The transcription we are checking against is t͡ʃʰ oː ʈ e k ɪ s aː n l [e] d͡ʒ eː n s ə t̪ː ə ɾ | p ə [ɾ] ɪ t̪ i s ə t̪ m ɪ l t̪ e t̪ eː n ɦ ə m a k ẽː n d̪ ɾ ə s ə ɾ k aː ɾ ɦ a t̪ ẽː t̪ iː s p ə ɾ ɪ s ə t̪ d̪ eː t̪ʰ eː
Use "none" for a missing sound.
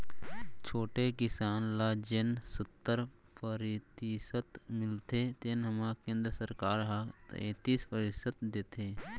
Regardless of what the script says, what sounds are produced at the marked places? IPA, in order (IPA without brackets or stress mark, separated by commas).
a, ɾ